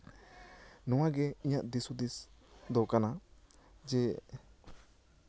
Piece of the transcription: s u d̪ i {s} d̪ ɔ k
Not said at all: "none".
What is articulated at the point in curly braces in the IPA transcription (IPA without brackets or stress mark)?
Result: s